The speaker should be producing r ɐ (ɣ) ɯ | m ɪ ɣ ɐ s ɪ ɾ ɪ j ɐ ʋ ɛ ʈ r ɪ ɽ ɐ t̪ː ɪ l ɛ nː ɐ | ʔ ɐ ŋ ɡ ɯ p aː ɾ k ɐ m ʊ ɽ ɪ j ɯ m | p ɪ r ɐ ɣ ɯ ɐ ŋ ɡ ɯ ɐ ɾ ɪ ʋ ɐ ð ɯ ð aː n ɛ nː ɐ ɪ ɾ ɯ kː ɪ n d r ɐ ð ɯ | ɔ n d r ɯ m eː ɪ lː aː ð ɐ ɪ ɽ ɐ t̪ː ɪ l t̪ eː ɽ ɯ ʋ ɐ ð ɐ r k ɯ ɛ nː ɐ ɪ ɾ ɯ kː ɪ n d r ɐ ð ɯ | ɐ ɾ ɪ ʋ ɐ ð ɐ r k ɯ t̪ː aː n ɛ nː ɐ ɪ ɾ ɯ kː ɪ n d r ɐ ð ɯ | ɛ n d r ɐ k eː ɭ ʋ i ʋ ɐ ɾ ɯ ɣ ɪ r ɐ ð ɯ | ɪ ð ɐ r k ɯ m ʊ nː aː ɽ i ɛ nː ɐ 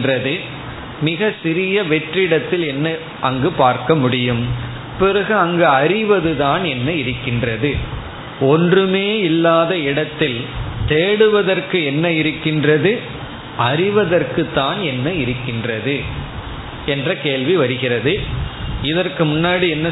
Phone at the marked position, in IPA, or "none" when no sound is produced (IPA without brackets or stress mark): ð